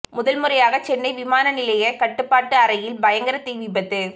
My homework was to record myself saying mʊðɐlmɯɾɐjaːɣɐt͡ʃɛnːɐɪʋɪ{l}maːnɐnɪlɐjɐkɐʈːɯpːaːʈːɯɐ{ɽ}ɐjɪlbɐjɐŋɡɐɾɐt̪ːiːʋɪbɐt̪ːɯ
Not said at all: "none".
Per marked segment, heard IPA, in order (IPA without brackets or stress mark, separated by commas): none, ɾ